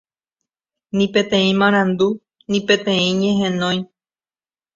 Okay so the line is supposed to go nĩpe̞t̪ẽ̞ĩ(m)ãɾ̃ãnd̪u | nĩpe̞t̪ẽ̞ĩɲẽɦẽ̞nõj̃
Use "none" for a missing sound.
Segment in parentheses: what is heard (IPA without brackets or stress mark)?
m